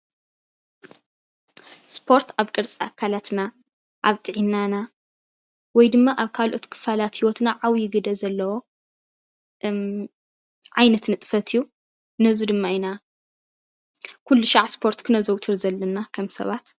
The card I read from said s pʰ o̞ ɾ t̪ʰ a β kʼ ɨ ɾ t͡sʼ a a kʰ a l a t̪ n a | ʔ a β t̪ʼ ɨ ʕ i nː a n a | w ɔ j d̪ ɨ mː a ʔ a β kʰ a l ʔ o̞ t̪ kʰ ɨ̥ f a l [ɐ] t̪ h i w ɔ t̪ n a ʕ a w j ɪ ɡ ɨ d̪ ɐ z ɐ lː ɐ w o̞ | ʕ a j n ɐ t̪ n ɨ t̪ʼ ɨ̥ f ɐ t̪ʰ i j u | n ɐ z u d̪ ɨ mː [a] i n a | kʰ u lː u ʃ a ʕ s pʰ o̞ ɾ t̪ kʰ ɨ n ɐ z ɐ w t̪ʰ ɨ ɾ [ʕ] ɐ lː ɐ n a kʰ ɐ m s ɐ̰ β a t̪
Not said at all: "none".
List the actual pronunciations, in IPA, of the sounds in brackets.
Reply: a, a, z

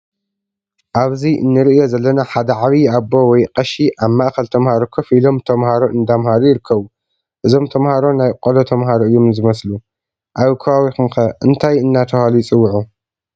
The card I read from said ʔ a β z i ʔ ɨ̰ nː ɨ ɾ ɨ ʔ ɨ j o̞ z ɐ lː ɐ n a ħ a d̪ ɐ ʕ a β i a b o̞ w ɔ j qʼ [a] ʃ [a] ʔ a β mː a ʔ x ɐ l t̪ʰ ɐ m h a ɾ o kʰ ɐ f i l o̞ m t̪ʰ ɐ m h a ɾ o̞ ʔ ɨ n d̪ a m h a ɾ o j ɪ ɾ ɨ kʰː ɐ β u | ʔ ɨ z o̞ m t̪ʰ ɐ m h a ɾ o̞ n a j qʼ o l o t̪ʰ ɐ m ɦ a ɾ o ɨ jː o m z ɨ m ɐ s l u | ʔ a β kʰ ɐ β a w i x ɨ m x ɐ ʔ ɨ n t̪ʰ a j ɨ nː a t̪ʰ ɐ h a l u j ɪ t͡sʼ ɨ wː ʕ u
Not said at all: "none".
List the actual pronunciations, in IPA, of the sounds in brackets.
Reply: ɐ, i

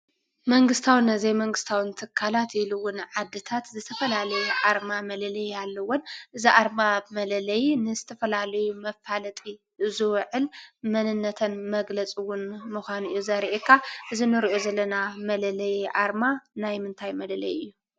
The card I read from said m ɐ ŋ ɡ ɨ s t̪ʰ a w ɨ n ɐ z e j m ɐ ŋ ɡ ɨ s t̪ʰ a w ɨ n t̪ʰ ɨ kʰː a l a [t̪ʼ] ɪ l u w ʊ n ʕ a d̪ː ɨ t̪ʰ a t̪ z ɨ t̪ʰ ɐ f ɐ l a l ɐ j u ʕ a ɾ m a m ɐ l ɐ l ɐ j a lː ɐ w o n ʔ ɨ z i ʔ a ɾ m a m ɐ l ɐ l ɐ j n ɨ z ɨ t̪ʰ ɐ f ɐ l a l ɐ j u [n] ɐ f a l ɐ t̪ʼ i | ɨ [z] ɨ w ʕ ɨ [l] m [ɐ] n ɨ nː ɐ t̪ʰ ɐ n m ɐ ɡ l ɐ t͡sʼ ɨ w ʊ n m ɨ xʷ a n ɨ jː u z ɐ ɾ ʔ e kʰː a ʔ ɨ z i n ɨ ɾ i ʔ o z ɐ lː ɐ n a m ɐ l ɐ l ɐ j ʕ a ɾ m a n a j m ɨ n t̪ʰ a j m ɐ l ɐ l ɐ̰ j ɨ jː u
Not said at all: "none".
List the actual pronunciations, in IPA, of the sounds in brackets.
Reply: t̪, m, z, l, ɐ

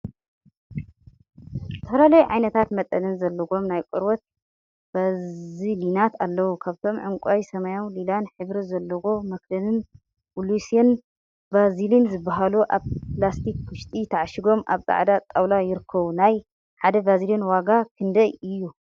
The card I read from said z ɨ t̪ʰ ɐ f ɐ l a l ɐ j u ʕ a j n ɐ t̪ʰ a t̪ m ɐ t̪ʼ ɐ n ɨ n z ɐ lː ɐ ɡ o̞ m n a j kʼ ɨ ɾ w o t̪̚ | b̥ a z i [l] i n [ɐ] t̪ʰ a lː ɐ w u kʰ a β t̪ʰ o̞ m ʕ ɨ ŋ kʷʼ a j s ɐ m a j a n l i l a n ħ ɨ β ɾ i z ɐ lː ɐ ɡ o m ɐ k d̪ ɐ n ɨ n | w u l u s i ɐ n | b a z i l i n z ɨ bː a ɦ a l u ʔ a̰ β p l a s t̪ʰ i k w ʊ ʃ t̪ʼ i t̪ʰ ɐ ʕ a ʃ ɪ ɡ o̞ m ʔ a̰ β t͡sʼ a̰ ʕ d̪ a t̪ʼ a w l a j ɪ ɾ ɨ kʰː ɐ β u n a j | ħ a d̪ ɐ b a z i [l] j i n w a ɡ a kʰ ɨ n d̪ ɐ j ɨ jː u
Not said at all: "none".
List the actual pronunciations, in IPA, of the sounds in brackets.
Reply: l, a, l

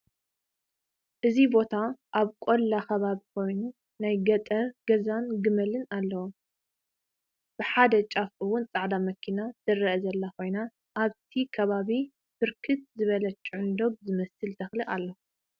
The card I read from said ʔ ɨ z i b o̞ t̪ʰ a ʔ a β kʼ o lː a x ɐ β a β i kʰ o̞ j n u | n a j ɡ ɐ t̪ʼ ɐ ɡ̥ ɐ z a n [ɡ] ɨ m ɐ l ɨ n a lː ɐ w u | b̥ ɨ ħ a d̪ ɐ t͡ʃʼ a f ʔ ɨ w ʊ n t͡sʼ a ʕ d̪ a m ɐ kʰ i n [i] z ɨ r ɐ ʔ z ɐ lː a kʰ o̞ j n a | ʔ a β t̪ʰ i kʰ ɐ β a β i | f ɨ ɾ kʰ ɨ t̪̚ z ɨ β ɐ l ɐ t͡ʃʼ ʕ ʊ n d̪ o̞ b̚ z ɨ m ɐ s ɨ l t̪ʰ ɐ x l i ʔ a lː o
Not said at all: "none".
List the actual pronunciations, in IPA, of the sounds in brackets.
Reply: ɡ, a

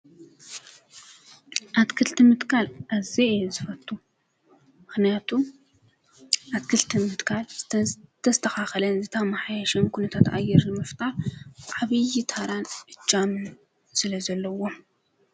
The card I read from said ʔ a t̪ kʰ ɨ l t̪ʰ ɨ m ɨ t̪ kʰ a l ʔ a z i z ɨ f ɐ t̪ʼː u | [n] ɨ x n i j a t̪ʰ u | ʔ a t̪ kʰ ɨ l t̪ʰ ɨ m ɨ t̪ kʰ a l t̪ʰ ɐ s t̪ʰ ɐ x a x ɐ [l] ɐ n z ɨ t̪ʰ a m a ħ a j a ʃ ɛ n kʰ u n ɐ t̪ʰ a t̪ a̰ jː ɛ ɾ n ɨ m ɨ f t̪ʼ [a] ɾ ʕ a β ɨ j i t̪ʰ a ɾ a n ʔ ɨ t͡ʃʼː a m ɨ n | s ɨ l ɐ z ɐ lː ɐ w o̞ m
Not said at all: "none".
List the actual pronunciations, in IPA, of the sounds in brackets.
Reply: m, l, a

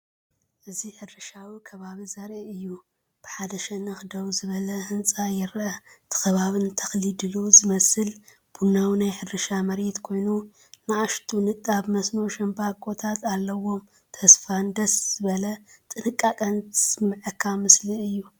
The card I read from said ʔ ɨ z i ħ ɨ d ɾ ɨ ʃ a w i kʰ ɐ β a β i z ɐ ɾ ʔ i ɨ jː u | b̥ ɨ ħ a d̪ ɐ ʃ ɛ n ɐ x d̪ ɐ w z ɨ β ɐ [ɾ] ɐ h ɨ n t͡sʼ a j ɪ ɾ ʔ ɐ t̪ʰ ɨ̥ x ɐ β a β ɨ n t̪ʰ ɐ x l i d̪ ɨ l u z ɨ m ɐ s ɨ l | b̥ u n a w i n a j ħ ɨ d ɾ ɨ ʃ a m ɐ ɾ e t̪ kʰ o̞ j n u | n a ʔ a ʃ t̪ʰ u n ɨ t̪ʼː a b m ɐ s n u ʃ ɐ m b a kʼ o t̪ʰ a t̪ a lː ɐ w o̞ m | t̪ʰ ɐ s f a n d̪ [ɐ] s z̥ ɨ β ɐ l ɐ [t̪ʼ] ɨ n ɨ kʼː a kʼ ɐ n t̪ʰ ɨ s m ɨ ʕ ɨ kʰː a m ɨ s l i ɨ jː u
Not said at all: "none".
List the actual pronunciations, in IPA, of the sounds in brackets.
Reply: l, ɐ, t̪ʼ

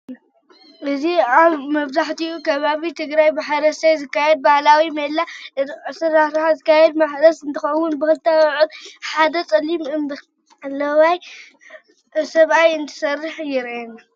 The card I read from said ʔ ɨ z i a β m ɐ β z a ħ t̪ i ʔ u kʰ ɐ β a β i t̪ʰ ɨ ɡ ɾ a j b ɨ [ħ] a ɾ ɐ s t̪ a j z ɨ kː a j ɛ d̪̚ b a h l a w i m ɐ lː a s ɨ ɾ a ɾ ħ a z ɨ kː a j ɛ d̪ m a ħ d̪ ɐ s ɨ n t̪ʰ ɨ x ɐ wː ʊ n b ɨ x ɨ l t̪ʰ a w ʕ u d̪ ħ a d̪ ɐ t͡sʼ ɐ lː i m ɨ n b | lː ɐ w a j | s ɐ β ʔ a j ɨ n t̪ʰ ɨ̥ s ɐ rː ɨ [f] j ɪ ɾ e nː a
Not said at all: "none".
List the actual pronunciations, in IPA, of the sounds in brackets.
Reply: ħ, ħ

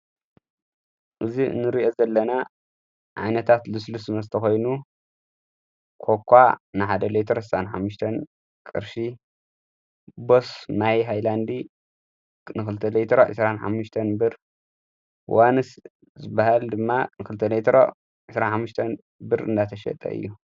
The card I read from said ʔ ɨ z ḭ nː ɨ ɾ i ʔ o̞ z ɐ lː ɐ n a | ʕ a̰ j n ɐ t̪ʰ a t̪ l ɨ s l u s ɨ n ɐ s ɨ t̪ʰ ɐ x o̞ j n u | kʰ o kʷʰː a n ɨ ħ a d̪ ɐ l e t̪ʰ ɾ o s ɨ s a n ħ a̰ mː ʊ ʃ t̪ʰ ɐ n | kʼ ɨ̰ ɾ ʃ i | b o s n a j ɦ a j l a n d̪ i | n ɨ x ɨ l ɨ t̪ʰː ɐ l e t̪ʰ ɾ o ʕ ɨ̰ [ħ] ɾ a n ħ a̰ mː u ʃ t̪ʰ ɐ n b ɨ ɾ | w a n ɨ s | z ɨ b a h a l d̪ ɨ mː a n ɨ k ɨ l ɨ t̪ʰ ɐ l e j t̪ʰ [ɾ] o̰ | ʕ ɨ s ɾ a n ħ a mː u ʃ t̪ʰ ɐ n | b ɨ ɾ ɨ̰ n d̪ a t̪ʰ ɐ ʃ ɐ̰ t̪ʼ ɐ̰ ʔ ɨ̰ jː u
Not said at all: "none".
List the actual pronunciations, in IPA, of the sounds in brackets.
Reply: s, ɾ

